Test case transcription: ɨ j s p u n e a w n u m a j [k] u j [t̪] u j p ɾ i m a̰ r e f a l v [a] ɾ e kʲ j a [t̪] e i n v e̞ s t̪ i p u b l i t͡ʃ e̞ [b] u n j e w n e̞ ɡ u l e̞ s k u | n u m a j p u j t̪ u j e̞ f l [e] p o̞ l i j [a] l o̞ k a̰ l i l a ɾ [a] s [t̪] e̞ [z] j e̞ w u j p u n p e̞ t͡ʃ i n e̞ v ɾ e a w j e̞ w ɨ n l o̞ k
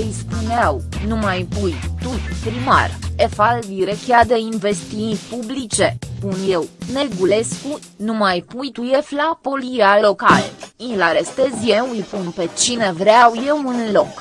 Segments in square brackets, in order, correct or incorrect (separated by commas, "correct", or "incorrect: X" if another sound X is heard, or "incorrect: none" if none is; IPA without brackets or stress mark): incorrect: p, correct, incorrect: i, incorrect: d̪, incorrect: p, incorrect: a, correct, incorrect: e, correct, correct